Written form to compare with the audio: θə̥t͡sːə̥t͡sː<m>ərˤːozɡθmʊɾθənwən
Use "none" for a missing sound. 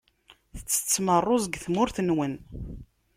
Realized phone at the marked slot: m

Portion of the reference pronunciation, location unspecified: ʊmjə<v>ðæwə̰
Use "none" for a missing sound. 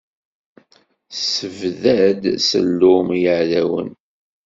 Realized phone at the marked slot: ʕ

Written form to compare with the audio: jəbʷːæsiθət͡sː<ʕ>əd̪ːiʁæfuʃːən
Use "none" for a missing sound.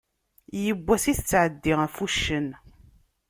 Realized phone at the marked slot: ʕ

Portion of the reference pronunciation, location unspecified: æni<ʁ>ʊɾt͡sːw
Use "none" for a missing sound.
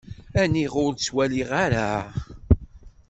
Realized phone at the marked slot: ʁ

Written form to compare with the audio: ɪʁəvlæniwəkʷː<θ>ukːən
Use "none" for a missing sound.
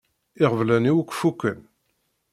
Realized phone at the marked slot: f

